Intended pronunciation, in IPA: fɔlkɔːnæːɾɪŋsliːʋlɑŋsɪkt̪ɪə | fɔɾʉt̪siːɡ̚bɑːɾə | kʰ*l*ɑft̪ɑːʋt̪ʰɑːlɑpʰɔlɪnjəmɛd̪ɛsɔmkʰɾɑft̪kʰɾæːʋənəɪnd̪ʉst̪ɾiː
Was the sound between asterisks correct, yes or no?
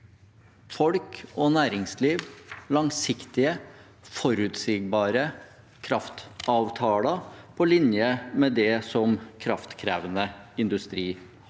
no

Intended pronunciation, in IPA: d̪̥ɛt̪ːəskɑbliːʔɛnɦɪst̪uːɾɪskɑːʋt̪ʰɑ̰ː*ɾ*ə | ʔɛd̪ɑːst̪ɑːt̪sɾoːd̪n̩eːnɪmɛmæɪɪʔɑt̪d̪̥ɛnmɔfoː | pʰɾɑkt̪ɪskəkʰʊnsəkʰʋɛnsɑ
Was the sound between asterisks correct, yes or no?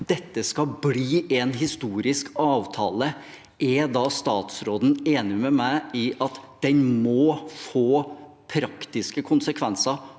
no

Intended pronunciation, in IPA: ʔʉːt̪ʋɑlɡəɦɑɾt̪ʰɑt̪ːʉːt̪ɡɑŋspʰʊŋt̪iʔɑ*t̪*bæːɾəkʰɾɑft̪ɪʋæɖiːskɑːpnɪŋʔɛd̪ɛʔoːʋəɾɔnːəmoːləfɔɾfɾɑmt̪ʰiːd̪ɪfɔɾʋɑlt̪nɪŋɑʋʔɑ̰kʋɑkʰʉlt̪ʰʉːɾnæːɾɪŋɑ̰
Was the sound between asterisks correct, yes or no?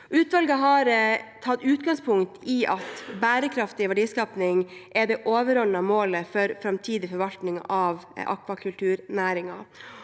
yes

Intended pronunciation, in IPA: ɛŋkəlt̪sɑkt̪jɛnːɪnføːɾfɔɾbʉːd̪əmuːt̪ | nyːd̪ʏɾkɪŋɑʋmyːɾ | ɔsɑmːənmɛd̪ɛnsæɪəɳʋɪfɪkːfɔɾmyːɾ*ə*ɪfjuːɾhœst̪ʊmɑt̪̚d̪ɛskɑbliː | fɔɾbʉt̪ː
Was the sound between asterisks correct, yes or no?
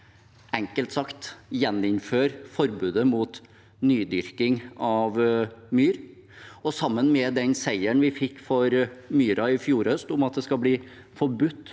no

